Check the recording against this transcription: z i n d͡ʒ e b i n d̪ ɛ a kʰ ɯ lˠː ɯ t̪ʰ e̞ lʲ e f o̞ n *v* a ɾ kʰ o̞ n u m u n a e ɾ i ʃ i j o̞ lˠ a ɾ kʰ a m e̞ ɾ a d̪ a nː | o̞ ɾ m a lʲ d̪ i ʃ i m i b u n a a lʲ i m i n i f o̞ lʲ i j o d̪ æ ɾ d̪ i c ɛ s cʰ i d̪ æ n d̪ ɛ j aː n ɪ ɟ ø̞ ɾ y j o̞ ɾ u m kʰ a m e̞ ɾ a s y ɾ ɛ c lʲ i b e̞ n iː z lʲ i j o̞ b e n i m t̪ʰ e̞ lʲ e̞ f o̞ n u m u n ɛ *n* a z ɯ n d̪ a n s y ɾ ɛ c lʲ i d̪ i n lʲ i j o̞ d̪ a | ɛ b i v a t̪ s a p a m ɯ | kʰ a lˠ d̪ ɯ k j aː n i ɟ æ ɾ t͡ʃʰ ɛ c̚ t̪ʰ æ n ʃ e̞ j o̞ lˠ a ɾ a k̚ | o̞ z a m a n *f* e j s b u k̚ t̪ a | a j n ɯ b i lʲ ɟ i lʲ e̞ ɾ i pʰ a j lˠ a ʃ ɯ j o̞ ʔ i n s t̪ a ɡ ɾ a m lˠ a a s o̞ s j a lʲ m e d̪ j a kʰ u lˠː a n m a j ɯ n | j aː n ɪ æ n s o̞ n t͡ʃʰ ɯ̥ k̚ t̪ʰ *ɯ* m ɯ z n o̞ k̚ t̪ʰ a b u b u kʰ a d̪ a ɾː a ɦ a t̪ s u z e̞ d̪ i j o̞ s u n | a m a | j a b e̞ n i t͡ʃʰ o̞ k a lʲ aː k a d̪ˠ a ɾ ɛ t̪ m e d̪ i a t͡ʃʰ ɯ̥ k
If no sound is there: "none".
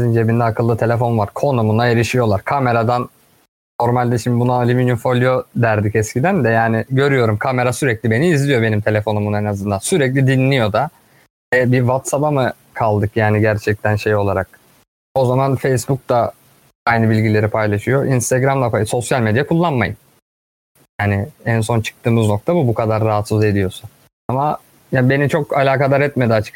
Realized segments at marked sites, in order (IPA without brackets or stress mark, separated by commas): v, n, f, ɯː